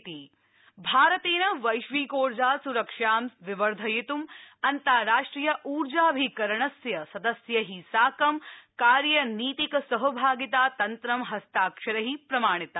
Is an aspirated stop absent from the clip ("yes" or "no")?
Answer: yes